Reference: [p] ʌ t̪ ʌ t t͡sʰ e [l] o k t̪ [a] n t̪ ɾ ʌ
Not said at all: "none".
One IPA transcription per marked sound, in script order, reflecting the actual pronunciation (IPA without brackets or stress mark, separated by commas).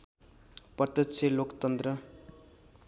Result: p, l, ʌ